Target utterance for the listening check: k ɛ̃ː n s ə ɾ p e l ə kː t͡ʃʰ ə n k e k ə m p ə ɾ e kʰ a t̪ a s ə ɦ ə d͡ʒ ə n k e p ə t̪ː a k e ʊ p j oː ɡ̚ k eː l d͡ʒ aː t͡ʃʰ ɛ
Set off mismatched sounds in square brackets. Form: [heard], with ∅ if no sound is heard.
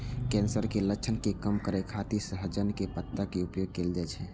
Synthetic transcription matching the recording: k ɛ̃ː n s ə ɾ [k] e l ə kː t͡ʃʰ ə n k e k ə m [k] ə ɾ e kʰ a t̪ [i] s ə ɦ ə d͡ʒ ə n k e p ə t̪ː a k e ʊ p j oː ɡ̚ k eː l d͡ʒ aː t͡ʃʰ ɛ